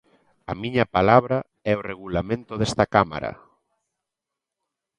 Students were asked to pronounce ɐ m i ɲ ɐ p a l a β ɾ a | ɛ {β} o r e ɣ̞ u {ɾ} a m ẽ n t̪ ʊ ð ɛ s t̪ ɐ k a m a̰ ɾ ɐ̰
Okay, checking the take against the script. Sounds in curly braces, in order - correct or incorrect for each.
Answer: incorrect: none, incorrect: l

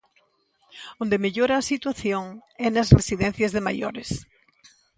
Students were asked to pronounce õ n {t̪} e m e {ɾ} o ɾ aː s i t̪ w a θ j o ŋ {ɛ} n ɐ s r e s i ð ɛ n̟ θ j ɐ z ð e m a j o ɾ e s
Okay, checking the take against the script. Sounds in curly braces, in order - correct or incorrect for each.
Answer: incorrect: d̪, incorrect: ʎ, correct

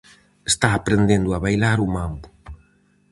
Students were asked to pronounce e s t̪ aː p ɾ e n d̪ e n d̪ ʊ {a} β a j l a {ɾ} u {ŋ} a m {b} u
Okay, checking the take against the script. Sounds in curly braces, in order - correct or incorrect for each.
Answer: correct, correct, incorrect: m, correct

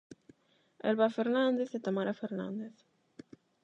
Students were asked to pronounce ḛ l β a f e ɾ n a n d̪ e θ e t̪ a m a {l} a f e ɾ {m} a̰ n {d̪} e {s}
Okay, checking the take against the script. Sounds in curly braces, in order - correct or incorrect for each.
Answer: incorrect: ɾ, incorrect: n, correct, incorrect: θ

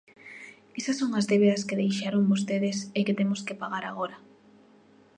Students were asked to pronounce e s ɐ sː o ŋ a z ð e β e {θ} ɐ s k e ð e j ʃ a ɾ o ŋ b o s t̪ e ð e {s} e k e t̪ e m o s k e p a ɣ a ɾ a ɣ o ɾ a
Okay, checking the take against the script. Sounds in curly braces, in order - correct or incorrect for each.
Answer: incorrect: ð, correct

